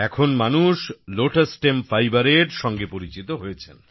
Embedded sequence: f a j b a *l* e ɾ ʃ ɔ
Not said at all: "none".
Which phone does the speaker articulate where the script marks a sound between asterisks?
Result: ɾ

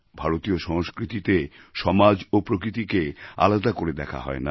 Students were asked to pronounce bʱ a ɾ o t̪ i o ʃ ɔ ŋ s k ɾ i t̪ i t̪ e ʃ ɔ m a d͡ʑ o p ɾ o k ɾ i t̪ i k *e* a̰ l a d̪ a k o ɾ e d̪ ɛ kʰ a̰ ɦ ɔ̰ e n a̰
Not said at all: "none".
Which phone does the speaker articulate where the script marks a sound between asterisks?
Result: e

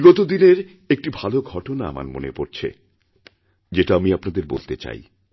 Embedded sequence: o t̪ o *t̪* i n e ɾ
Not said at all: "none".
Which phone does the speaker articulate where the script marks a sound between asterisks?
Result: d̪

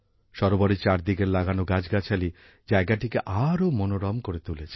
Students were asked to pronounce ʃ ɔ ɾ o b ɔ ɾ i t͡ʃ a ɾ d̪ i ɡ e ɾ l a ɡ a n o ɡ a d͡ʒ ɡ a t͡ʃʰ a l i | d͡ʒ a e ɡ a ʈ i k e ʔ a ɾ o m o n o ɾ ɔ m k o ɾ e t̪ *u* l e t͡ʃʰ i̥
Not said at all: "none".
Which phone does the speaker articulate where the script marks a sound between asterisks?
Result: u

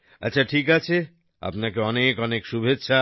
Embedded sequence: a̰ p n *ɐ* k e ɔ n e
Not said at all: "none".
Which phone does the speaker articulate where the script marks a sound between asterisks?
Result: a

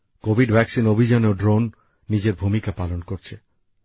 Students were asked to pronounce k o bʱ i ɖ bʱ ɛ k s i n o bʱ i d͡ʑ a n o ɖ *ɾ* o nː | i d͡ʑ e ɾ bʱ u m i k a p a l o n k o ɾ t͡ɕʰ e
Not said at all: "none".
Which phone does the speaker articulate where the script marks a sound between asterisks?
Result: ɾ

